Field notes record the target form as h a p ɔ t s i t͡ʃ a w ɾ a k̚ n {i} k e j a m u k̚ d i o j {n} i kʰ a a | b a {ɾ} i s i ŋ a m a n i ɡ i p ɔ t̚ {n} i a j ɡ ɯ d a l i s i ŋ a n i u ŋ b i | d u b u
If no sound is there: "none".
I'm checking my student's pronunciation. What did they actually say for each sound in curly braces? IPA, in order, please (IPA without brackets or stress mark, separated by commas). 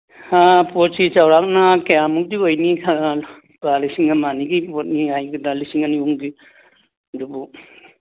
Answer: a, n, l, n